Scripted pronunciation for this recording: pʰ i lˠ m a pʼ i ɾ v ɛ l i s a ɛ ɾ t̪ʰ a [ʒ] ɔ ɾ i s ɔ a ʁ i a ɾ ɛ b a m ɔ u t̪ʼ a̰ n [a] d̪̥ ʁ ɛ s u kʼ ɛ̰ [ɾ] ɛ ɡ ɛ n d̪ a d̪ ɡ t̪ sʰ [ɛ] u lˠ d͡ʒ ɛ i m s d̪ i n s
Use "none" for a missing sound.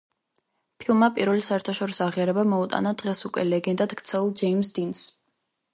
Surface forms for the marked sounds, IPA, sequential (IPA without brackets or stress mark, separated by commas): ʃ, a, l, ɛ